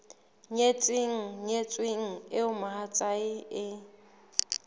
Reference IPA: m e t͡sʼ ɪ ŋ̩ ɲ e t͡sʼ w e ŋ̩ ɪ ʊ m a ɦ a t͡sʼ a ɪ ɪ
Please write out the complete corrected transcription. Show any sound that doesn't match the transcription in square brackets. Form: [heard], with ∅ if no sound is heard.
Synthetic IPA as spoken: [ɲ] e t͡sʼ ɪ ŋ̩ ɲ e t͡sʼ w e ŋ̩ ɪ ʊ m a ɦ a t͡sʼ a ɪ ɪ